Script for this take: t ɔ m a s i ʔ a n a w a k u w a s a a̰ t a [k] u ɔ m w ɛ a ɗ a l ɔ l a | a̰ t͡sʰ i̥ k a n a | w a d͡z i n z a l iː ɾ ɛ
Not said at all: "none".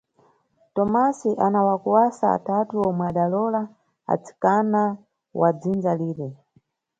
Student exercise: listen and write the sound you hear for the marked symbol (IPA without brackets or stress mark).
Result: t